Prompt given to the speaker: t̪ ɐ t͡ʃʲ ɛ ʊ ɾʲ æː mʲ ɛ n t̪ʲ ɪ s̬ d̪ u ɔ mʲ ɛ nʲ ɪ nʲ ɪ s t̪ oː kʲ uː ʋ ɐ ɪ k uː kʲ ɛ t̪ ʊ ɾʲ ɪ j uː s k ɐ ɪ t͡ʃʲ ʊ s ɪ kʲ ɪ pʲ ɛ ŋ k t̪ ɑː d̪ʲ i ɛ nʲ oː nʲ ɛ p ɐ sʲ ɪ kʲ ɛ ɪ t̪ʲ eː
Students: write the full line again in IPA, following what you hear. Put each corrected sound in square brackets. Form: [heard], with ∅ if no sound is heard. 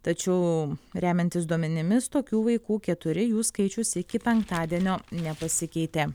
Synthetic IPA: t̪ ɐ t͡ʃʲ ɛ ʊ ɾʲ æː mʲ ɛ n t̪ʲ ɪ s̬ d̪ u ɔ mʲ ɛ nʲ ɪ [mʲ] ɪ s t̪ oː kʲ uː ʋ ɐ ɪ k uː kʲ ɛ t̪ ʊ ɾʲ ɪ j uː s k ɐ ɪ t͡ʃʲ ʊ s ɪ kʲ ɪ pʲ ɛ ŋ k t̪ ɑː d̪ʲ i ɛ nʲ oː nʲ ɛ p ɐ sʲ ɪ kʲ ɛ ɪ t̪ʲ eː